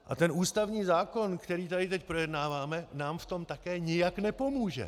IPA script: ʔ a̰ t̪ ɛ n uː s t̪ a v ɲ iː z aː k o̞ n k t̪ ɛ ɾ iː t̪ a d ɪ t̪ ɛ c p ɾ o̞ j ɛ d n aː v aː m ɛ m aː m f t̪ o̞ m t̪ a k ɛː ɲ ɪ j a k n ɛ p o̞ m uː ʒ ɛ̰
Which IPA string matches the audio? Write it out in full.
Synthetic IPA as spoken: ʔ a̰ t̪ ɛ n uː s t̪ a v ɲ iː z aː k o̞ n k t̪ ɛ ɾ iː t̪ a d ɪ t̪ ɛ c p ɾ o̞ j ɛ d n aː v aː m ɛ n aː m f t̪ o̞ m t̪ a k ɛː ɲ ɪ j a k n ɛ p o̞ m uː ʒ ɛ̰